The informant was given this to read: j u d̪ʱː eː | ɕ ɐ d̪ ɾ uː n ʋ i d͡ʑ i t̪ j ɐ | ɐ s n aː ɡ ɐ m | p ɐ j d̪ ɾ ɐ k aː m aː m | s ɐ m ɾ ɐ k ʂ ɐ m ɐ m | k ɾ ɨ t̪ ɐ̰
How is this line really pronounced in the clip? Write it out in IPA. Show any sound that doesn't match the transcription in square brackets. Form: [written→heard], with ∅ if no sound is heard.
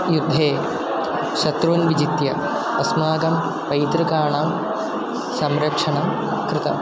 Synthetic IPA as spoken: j u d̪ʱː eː | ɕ ɐ [d̪→t̪] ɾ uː n ʋ i d͡ʑ i t̪ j ɐ | ɐ s [n→m] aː ɡ ɐ m | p ɐ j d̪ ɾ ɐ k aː [m→ɳ] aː m | s ɐ m ɾ ɐ k ʂ ɐ [m→ɳ] ɐ m | k ɾ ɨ t̪ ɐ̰

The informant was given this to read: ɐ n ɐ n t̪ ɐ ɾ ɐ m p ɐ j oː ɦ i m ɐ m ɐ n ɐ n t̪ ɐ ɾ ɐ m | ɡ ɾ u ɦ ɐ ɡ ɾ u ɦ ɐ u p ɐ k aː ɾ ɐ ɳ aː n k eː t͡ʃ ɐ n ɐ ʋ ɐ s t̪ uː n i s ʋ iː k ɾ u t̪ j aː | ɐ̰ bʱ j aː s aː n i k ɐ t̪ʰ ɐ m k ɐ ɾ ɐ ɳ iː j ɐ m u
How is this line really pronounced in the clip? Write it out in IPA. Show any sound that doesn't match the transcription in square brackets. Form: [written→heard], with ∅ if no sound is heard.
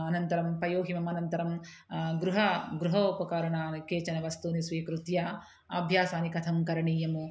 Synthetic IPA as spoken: ɐ n ɐ n t̪ ɐ ɾ ɐ m p ɐ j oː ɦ i m ɐ m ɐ n ɐ n t̪ ɐ ɾ ɐ m | ɡ ɾ u ɦ ɐ ɡ ɾ u ɦ ɐ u p ɐ k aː ɾ ɐ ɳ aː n k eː t͡ʃ ɐ n ɐ ʋ ɐ s t̪ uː n i s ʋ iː k ɾ u t̪ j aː | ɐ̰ bʱ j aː s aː n i k ɐ t̪ʰ ɐ m k ɐ ɾ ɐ ɳ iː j ɐ m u

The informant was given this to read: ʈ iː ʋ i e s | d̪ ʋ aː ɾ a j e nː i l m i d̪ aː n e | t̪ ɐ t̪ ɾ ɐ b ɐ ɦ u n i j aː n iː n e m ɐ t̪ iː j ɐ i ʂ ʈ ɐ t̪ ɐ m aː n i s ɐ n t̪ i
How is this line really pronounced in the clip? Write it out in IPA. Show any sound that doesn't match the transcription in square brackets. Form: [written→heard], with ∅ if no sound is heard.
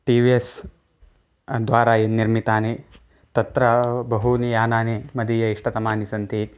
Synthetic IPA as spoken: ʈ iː ʋ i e s | d̪ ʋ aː ɾ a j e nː i [l→ɾ] m i [d̪→t̪] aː n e | t̪ ɐ t̪ ɾ ɐ b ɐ ɦ u n i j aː n [iː→aː] n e m ɐ [t̪→d̪] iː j ɐ i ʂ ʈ ɐ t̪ ɐ m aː n i s ɐ n t̪ i

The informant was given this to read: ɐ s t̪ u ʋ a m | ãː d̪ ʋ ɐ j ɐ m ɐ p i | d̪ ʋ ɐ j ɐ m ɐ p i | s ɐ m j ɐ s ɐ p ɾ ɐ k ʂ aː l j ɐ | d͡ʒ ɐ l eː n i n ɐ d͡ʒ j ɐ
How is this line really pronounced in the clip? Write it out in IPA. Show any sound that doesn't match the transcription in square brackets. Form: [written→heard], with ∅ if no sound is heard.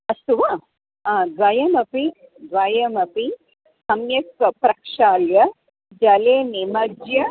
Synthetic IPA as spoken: ɐ s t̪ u ʋ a [m→∅] | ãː d̪ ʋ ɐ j ɐ m ɐ p i | d̪ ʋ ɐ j ɐ m ɐ p i | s ɐ m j ɐ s ɐ p ɾ ɐ k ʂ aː l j ɐ | d͡ʒ ɐ l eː n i [n→m] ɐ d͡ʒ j ɐ

